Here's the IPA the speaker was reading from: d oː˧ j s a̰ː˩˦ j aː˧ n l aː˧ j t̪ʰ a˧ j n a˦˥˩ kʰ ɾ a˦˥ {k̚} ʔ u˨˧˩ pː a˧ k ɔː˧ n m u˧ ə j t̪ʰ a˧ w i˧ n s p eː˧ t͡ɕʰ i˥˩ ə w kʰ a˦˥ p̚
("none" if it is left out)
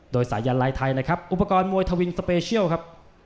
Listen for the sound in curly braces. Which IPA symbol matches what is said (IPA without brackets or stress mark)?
p̚